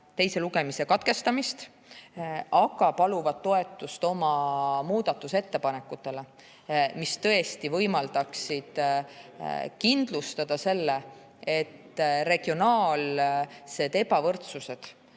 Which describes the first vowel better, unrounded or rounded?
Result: unrounded